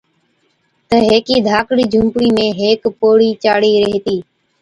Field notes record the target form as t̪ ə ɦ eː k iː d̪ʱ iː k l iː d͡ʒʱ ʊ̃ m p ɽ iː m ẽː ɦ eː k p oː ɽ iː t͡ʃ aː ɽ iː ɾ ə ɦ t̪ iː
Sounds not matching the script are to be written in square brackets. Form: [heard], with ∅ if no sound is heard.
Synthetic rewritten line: t̪ ə ɦ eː k iː d̪ʱ [aː] k [ɽ] iː d͡ʒʱ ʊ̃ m p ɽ iː m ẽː ɦ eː k p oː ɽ iː t͡ʃ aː ɽ iː ɾ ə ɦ t̪ iː